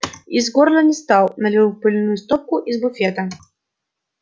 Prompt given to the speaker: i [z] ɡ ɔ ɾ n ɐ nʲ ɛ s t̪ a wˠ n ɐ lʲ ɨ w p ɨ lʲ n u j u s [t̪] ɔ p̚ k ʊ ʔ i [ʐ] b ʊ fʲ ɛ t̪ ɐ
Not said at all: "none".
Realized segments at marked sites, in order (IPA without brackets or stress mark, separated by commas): z, t̪, z